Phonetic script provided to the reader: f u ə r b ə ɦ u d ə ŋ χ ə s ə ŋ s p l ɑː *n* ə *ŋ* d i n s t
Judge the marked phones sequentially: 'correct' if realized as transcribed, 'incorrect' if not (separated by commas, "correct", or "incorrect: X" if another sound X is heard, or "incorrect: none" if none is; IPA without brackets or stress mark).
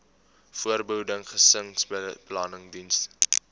correct, correct